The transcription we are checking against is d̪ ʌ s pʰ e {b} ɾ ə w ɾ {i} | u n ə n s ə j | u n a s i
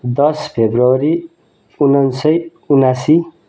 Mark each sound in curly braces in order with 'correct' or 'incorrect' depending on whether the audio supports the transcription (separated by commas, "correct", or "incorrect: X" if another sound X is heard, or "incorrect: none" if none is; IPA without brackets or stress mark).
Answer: correct, correct